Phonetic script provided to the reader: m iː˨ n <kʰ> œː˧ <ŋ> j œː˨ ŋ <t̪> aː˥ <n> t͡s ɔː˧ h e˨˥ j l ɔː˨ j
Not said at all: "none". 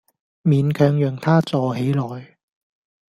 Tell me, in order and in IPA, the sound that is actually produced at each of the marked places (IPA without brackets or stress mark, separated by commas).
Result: kʰ, ŋ, t̪ʰ, none